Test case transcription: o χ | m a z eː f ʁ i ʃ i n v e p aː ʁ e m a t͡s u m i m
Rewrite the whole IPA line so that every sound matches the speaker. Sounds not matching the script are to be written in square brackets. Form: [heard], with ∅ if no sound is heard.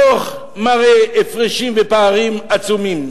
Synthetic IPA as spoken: o χ | m a [ʁ] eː f ʁ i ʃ i [m] v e p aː ʁ [i] m a t͡s u m i m